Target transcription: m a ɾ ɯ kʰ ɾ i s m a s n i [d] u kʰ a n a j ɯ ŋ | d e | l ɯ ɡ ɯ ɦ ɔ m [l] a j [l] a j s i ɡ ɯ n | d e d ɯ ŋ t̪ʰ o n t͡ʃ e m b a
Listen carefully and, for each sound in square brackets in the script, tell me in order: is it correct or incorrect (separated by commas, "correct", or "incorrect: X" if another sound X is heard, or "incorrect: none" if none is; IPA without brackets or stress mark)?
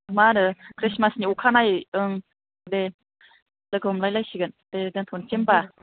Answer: incorrect: none, correct, correct